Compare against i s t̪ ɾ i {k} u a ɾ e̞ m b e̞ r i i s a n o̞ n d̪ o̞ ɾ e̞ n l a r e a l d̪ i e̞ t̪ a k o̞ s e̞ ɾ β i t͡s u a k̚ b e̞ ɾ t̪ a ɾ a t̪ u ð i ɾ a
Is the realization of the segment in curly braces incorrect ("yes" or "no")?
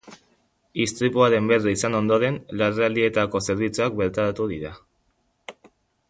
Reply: yes